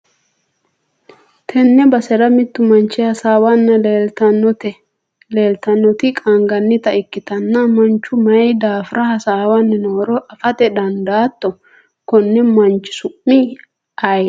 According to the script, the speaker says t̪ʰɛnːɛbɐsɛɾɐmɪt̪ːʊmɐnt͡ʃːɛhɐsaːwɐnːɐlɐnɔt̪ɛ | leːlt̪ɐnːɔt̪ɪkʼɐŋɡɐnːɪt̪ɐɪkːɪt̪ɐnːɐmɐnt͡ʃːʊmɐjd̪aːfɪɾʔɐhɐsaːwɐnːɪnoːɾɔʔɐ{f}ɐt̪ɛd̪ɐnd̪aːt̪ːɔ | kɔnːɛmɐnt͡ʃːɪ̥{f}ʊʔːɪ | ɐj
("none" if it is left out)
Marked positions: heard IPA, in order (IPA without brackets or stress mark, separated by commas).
f, s